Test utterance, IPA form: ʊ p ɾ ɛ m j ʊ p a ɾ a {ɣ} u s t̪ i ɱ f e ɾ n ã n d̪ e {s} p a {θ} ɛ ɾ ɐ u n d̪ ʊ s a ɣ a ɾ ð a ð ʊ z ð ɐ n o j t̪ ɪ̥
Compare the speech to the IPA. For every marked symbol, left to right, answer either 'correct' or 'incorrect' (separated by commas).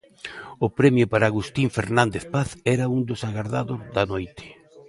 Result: correct, incorrect, correct